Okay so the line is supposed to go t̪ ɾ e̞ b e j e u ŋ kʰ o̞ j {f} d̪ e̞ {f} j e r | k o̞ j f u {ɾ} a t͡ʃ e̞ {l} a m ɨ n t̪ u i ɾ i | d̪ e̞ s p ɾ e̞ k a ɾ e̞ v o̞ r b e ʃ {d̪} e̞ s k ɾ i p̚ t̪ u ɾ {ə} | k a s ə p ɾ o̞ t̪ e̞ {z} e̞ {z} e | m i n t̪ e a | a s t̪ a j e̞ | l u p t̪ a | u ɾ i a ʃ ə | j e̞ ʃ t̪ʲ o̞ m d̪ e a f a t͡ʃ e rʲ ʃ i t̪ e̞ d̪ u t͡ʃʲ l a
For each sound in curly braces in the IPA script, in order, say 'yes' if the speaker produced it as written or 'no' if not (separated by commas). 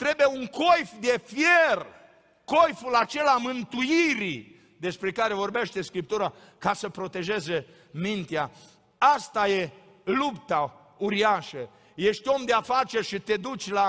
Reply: yes, yes, no, yes, no, no, no, yes